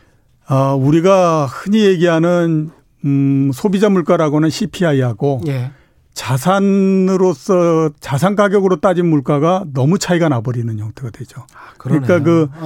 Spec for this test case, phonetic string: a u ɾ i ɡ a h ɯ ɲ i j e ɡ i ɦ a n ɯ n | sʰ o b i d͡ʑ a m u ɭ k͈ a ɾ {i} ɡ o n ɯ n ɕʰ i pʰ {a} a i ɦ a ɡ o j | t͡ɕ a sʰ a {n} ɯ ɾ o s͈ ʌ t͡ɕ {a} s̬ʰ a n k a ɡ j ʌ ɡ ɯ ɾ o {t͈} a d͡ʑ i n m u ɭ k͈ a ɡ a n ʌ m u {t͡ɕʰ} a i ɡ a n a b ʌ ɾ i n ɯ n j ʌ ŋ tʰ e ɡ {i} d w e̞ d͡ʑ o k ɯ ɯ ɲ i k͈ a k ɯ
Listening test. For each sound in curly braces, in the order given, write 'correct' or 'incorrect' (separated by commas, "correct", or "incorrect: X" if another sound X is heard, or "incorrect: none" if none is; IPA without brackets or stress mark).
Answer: incorrect: a, incorrect: i, correct, correct, correct, correct, incorrect: a